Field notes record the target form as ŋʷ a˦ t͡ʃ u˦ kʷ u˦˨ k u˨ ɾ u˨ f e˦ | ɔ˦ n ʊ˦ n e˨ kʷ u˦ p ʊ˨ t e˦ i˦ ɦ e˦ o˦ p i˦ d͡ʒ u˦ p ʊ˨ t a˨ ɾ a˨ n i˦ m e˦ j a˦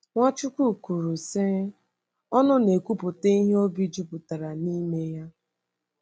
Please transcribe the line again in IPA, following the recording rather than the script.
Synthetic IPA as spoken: ŋʷ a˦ t͡ʃ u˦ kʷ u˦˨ k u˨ ɾ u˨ s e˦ | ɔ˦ n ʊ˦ n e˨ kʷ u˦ p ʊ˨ t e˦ i˦ ɦ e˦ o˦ b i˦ d͡ʒ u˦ p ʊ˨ t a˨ ɾ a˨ n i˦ m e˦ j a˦